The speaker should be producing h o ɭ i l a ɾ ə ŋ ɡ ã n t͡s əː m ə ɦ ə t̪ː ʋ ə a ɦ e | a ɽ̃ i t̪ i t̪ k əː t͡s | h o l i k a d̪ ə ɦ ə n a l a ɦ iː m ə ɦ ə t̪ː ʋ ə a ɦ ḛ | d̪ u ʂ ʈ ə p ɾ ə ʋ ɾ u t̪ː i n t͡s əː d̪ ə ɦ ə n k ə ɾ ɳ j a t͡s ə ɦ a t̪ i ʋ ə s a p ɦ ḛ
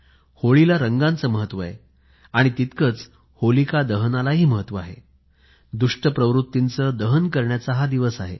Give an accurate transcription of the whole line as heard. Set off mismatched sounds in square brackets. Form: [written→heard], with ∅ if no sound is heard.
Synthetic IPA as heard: h o ɭ i l a ɾ ə ŋ ɡ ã n t͡s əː m ə ɦ ə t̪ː ʋ ə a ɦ e | a ɽ̃ i t̪ i t̪ k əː t͡s | h o l i k a d̪ ə ɦ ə n a l a ɦ iː m ə ɦ ə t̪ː ʋ ə a ɦ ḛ | d̪ u ʂ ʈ ə p ɾ ə ʋ ɾ u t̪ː i n t͡s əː d̪ ə ɦ ə n k ə ɾ ɳ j a t͡s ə ɦ a [t̪→d̪] i ʋ ə s a [p→∅] ɦ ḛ